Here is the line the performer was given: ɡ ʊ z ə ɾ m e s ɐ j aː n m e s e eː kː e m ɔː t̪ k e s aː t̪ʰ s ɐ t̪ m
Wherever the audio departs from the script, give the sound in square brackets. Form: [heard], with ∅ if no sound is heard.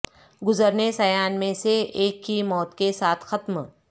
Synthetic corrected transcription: ɡ ʊ z ə ɾ [n] e s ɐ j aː n m [ẽ] s e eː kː [i] m ɔː t̪ k e s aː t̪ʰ [x] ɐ t̪ m